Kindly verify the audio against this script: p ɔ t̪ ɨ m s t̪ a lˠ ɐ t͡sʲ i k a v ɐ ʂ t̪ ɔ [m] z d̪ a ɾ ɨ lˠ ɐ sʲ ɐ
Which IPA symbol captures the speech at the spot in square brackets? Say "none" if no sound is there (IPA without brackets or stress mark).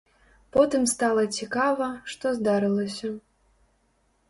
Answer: none